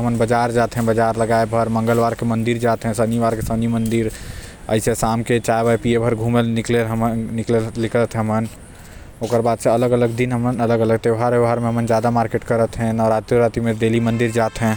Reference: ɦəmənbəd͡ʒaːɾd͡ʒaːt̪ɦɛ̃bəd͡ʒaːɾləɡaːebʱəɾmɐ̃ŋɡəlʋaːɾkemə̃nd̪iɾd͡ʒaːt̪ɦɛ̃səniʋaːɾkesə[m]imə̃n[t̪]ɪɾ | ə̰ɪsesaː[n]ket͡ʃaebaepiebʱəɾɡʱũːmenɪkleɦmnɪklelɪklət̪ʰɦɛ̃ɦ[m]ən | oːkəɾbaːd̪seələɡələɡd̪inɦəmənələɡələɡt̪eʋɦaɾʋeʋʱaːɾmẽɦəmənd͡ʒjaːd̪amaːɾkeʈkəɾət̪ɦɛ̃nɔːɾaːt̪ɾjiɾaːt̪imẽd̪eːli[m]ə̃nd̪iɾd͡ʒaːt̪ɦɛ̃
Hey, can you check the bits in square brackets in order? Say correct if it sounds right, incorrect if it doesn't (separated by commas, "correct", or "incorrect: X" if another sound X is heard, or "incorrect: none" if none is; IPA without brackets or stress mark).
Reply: incorrect: n, incorrect: d̪, incorrect: m, correct, correct